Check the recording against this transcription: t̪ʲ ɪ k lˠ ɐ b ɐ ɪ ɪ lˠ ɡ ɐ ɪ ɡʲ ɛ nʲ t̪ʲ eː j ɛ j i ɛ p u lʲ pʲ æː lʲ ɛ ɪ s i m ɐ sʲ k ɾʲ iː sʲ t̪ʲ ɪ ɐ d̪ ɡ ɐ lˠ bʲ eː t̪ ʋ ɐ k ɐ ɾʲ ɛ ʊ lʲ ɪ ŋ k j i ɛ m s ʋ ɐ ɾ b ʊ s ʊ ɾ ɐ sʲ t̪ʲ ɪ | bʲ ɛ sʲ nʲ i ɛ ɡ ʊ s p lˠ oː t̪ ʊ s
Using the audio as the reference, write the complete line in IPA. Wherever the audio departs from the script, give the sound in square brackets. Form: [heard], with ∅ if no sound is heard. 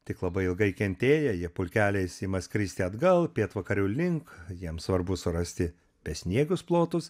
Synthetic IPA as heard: t̪ʲ ɪ k lˠ ɐ b ɐ ɪ ɪ lˠ ɡ ɐ ɪ [kʲ] ɛ nʲ t̪ʲ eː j ɛ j i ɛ p [ʊ] lʲ [kʲ] æː lʲ ɛ ɪ s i m ɐ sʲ k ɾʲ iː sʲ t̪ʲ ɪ ɐ d̪ ɡ ɐ lˠ [pʲ] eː t̪ ʋ ɐ k ɐ ɾʲ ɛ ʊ lʲ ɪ ŋ k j i ɛ m s ʋ ɐ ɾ b ʊ s ʊ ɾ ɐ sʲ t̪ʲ ɪ | [pʲ] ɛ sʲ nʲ i ɛ ɡ ʊ s p lˠ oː t̪ ʊ s

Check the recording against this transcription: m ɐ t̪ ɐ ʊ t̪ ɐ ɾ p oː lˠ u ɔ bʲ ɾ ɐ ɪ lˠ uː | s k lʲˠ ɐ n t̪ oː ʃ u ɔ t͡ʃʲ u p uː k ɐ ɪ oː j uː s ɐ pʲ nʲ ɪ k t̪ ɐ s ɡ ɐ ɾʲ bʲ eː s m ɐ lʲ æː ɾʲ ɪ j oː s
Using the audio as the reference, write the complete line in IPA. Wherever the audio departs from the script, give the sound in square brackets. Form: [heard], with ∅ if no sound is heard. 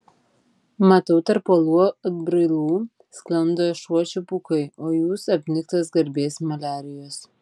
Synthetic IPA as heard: m ɐ t̪ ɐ ʊ t̪ ɐ ɾ p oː lˠ u ɔ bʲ ɾ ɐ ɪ lˠ uː | s k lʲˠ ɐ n [d̪] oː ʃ u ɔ t͡ʃʲ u p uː k ɐ ɪ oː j uː s ɐ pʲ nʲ ɪ k t̪ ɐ s ɡ ɐ ɾʲ bʲ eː s m ɐ lʲ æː ɾʲ ɪ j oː s

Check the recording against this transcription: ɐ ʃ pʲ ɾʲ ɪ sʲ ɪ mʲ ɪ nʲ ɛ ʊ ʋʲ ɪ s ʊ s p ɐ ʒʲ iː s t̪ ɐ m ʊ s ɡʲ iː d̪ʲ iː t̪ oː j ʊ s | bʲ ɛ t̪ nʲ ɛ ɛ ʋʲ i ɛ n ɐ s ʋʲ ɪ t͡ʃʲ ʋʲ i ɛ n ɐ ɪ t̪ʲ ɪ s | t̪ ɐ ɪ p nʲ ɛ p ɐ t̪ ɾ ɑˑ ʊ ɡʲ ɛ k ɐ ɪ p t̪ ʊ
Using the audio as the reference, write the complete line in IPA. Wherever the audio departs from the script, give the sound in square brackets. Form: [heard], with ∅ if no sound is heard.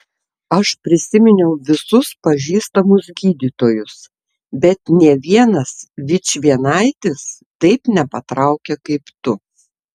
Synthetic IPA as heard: ɐ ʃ pʲ ɾʲ ɪ sʲ ɪ mʲ ɪ nʲ ɛ ʊ ʋʲ ɪ s ʊ s p ɐ ʒʲ iː s t̪ ɐ m ʊ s ɡʲ iː d̪ʲ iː t̪ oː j ʊ s | bʲ ɛ t̪ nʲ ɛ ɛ ʋʲ i ɛ n ɐ s ʋʲ ɪ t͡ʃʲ ʋʲ i ɛ n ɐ ɪ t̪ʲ ɪ s | t̪ ɐ ɪ p nʲ ɛ p ɐ t̪ ɾ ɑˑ ʊ [kʲ] ɛ k ɐ ɪ p t̪ ʊ

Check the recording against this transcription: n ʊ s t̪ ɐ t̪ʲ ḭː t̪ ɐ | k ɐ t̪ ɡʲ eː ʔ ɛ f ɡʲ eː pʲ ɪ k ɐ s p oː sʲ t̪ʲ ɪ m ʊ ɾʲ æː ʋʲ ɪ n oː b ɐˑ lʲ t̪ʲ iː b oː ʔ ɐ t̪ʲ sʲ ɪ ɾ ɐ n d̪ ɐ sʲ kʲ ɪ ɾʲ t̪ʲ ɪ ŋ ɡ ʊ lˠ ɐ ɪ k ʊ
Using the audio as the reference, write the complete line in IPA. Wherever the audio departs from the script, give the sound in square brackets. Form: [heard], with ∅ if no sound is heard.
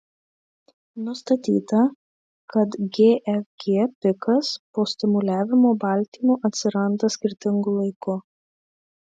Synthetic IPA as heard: n ʊ s t̪ ɐ t̪ʲ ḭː t̪ ɐ | k ɐ t̪ ɡʲ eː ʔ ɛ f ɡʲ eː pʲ ɪ k ɐ s p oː sʲ t̪ʲ ɪ m ʊ [lʲ] æː ʋʲ ɪ [m] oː b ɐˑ lʲ t̪ʲ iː [m] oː ʔ ɐ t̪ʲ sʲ ɪ ɾ ɐ n d̪ ɐ sʲ kʲ ɪ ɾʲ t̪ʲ ɪ ŋ ɡ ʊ lˠ ɐ ɪ k ʊ

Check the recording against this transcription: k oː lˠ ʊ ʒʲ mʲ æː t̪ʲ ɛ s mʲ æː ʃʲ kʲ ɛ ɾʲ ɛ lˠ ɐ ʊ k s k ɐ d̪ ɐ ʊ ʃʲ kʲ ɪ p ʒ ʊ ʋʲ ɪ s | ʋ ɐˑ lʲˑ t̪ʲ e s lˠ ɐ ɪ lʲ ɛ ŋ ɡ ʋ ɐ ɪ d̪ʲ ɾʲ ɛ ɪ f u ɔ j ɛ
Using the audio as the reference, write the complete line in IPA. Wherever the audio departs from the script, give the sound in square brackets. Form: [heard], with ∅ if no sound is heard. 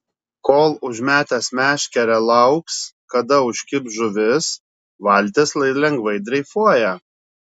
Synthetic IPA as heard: k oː lˠ ʊ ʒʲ mʲ æː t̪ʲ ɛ s mʲ æː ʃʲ kʲ ɛ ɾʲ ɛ lˠ ɐ ʊ k s k ɐ d̪ ɐ ʊ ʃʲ kʲ ɪ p ʒ ʊ ʋʲ ɪ s | ʋ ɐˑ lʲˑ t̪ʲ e s lˠ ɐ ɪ lʲ ɛ ŋ ɡ ʋ ɐ ɪ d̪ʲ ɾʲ ɛ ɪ f u ɔ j ɛ

